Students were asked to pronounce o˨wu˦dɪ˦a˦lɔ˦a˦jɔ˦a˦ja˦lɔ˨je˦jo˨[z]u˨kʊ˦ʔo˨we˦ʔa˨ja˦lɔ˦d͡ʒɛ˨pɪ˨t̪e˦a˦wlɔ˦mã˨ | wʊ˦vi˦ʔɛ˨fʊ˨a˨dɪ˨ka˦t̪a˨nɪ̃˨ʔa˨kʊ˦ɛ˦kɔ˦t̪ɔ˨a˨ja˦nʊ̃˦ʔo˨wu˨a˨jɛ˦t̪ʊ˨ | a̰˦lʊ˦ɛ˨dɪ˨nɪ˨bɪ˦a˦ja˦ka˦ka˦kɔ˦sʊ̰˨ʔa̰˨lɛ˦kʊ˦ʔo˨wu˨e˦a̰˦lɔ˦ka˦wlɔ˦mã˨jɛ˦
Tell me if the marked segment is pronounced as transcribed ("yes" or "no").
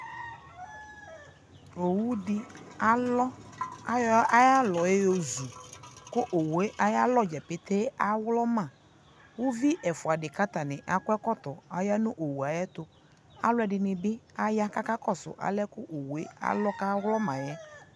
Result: yes